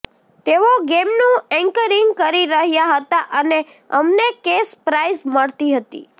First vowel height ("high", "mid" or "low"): mid